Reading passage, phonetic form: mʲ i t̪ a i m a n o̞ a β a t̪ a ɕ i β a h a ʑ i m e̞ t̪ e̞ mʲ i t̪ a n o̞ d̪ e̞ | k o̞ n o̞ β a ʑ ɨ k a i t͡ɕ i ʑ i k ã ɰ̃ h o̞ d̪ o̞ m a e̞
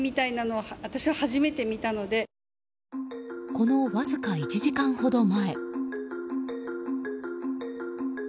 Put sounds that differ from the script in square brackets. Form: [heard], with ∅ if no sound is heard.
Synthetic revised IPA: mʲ i t̪ a i [n] a n o̞ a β a t̪ a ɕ i β a h a ʑ i m e̞ t̪ e̞ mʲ i t̪ a n o̞ d̪ e̞ | k o̞ n o̞ β a [z] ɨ k a i t͡ɕ i ʑ i k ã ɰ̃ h o̞ d̪ o̞ m a e̞